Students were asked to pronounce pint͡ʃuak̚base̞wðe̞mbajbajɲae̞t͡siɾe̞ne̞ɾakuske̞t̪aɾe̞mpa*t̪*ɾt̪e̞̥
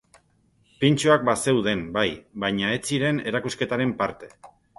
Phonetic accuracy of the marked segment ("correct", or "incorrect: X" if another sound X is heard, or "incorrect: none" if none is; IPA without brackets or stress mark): incorrect: none